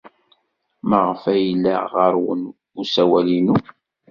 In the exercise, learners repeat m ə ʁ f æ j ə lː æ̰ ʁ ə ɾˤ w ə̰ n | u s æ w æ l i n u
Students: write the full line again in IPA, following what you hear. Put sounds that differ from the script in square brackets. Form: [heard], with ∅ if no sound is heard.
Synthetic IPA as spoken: m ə ʁ f æ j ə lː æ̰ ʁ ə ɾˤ w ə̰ n | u s æ w æ l i n u